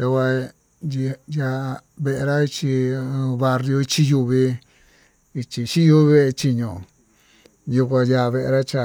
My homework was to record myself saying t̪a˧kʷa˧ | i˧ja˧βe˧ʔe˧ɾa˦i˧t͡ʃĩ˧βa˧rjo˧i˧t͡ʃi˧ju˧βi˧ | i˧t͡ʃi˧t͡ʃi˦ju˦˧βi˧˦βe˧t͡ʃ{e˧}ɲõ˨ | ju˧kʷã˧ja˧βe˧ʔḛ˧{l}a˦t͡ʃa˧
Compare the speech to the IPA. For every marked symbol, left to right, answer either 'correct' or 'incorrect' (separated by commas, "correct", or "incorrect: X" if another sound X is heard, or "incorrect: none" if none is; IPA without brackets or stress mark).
incorrect: i˧, incorrect: ɾ